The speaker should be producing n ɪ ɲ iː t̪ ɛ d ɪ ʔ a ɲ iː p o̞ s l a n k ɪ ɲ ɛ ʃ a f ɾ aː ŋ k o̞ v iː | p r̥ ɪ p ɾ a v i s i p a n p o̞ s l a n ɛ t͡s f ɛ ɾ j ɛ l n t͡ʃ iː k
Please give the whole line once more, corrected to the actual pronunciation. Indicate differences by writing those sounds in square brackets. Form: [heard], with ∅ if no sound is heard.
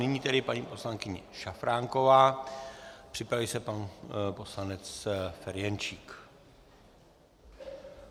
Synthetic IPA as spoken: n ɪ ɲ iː t̪ ɛ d ɪ [p] a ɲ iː p o̞ s l a [ŋ] k ɪ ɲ ɛ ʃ a f ɾ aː ŋ k o̞ v [aː] | p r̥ ɪ p ɾ a v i s [ɛ] p a n p o̞ s l a n ɛ t͡s f ɛ ɾ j ɛ [∅] n t͡ʃ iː k